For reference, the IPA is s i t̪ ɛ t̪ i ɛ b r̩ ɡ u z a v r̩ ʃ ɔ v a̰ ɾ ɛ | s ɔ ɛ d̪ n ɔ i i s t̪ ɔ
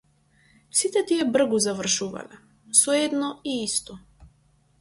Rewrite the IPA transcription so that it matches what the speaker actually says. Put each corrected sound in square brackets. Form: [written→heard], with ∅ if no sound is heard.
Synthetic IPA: s i t̪ ɛ t̪ i ɛ b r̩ ɡ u z a v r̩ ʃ [ɔ→u] v a̰ [ɾ→l] ɛ | s ɔ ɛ d̪ n ɔ i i s t̪ ɔ